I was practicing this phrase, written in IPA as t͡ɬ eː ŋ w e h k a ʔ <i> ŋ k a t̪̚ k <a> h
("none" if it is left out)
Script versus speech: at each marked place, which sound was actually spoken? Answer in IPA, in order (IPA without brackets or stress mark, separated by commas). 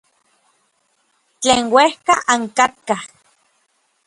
a, a